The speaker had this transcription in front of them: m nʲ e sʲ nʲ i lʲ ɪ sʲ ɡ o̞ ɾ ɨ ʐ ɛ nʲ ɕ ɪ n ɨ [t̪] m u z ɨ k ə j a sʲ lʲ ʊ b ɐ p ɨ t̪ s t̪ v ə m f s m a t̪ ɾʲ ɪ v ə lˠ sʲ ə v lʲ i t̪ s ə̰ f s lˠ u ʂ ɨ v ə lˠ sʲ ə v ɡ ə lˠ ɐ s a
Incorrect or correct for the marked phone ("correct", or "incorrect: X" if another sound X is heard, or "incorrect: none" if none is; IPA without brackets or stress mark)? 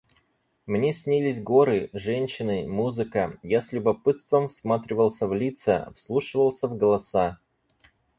incorrect: none